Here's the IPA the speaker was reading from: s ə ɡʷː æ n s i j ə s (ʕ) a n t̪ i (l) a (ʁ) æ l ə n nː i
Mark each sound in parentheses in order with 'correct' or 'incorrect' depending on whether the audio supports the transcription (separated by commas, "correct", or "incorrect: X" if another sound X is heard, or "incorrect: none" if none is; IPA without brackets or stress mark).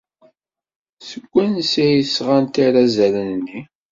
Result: incorrect: ʁ, incorrect: ɾ, incorrect: z